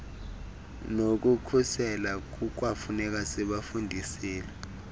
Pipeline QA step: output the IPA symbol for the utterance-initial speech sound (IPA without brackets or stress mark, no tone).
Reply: n